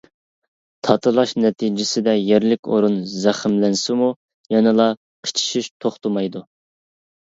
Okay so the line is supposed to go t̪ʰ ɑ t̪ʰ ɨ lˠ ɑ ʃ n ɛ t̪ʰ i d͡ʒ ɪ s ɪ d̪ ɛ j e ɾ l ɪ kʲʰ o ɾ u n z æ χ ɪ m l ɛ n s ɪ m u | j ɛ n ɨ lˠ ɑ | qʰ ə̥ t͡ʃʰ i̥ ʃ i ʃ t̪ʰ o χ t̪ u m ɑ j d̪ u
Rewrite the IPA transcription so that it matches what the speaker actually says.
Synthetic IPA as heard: t̪ʰ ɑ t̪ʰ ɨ lˠ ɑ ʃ n ɛ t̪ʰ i d͡ʒ ɪ s ɪ d̪ ɛ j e ɾ l ɪ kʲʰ o ɾ u n z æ χ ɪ m l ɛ n s ɪ m u | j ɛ n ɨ lˠ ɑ | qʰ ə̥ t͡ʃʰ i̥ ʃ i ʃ t̪ʰ o χ t̪ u m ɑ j d̪ u